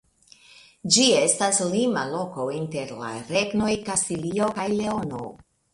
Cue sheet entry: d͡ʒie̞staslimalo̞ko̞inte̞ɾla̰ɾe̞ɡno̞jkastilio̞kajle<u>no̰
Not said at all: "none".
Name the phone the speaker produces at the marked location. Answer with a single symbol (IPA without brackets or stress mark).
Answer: o